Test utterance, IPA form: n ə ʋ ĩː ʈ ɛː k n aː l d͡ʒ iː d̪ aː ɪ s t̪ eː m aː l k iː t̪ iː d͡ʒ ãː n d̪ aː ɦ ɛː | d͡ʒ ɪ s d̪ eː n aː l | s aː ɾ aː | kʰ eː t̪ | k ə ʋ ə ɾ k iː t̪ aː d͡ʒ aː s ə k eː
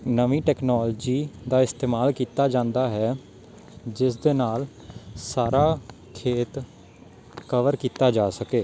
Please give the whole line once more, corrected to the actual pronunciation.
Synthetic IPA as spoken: n ə ʋ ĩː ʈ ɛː k n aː l d͡ʒ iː d̪ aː ɪ s t̪ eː m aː l k iː t̪ aː d͡ʒ ãː n d̪ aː ɦ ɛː | d͡ʒ ɪ s d̪ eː n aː l | s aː ɾ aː | kʰ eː t̪ | k ə ʋ ə ɾ k iː t̪ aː d͡ʒ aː s ə k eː